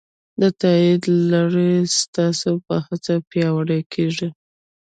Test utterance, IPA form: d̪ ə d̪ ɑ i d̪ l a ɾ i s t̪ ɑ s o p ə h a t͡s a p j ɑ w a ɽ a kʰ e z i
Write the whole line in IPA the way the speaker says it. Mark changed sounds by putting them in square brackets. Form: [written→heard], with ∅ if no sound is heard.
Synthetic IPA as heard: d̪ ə [d̪→t̪] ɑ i d̪ l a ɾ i s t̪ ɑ s o p ə h a t͡s a p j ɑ w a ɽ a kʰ e [z→ʐ] i